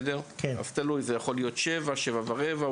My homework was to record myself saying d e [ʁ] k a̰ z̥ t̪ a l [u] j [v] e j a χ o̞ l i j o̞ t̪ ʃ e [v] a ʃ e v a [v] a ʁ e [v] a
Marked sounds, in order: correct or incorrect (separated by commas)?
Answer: correct, correct, incorrect, correct, correct, correct